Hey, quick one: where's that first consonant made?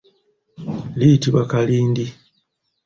tongue tip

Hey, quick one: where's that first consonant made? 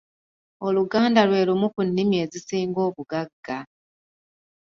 tongue tip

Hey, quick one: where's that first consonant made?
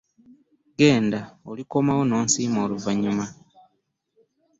velum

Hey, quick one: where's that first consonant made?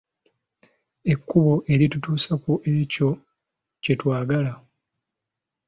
velum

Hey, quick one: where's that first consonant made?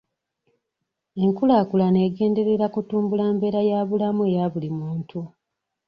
velum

